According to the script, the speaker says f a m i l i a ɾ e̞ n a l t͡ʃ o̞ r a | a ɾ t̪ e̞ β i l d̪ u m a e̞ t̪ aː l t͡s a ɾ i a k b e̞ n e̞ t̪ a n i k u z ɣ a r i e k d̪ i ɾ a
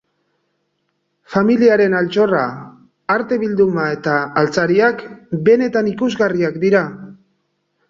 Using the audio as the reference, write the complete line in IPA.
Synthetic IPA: f a m i l i a ɾ e̞ n a l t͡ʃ o̞ r a | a ɾ t̪ e̞ β i l d̪ u m a e̞ t̪ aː l t͡s a ɾ i a k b e̞ n e̞ t̪ a n i k u z ɣ a r i a k d̪ i ɾ a